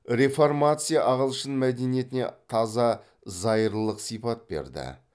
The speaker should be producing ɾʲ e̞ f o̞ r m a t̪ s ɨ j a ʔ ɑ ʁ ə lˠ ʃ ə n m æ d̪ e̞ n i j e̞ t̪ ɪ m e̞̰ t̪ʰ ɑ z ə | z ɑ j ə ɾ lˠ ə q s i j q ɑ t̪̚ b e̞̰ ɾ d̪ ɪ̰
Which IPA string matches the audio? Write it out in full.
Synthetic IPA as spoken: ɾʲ e̞ f o̞ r m a t̪ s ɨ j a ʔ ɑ ʁ ə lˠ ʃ ə n m æ d̪ e̞ n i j e̞ t̪ ɪ n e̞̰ t̪ʰ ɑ z ɑ | z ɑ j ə ɾ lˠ ə q s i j p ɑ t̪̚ b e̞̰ ɾ d̪ ɪ̰